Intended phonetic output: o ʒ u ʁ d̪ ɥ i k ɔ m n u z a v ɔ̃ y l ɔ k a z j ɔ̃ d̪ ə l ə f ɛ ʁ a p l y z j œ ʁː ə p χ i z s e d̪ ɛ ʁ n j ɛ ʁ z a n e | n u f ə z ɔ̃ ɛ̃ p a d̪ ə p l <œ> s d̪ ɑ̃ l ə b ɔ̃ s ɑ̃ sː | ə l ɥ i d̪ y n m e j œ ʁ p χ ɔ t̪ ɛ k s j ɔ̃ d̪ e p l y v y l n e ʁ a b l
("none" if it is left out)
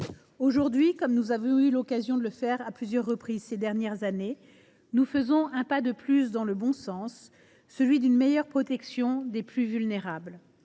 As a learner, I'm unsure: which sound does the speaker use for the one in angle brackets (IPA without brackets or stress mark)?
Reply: y